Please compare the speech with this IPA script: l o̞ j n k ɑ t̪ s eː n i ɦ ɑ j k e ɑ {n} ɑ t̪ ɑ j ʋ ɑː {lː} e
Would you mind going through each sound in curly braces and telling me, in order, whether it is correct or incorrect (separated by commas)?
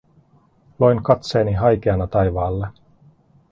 correct, correct